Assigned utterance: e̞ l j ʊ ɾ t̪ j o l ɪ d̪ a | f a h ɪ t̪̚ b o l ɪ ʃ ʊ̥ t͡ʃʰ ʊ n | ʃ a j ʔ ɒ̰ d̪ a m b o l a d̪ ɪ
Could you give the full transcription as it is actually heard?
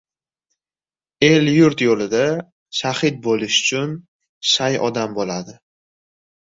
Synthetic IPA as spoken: e̞ l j ʊ ɾ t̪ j o l ɪ d̪ a | ʃ a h ɪ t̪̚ b o l ɪ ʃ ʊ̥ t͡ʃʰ ʊ n | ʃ a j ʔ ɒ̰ d̪ a m b o l a d̪ ɪ